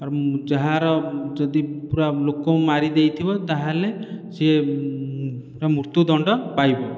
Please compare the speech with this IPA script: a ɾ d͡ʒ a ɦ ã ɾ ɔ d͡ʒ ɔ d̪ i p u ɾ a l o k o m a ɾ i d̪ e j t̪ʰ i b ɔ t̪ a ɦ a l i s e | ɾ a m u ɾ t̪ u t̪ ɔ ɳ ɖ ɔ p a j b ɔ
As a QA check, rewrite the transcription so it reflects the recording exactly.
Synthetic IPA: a ɾ d͡ʒ a ɦ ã ɾ ɔ d͡ʒ ɔ d̪ i p u ɾ a l o k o m a ɾ i d̪ e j t̪ʰ i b ɔ t̪ a ɦ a l e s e | ɾ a m u ɾ t̪ u d̪ ɔ ɳ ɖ ɔ p a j b ɔ